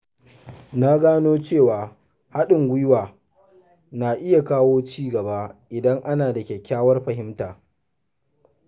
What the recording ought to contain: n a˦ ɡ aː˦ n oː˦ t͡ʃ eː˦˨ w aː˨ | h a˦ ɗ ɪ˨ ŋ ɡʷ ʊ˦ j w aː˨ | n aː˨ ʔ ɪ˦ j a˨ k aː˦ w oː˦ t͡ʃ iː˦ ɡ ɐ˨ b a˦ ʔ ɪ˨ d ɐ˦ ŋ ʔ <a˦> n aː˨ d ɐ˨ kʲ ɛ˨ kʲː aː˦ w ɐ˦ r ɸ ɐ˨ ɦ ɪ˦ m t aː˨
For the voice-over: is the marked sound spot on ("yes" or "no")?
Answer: yes